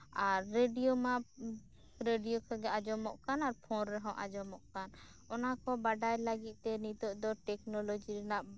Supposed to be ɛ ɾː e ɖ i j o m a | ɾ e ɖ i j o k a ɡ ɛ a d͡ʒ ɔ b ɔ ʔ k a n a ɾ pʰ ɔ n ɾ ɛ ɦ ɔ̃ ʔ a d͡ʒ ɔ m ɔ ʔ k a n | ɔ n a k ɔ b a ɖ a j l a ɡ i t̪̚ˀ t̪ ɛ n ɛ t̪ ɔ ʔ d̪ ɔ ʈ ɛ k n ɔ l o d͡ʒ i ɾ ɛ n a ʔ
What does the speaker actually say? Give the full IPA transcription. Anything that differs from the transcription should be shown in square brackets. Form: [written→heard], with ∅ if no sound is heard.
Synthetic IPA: [ɛ→a] ɾː e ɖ i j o m a | ɾ e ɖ i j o k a ɡ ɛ a d͡ʒ ɔ [b→m] ɔ ʔ k a n a ɾ pʰ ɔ n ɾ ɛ ɦ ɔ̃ ʔ a d͡ʒ ɔ m ɔ ʔ k a n | ɔ n a k ɔ b a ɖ a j l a ɡ i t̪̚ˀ t̪ ɛ n [ɛ→i] t̪ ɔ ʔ d̪ ɔ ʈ ɛ k n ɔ l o d͡ʒ i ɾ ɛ n a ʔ